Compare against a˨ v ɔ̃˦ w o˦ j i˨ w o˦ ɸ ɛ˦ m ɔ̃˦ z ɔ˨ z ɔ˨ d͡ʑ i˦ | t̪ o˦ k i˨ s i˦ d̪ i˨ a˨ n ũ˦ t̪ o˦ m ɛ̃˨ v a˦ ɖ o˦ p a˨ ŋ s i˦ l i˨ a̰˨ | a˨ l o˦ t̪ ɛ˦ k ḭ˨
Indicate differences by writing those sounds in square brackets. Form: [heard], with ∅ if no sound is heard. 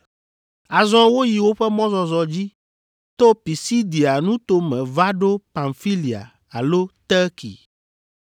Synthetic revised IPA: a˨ [z] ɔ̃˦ w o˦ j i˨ w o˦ ɸ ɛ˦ m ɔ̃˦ z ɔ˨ z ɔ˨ d͡ʑ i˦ | t̪ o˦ [p] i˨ s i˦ d̪ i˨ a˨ n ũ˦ t̪ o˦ m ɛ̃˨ v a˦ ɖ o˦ p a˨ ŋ [f] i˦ l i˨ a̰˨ | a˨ l o˦ t̪ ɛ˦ k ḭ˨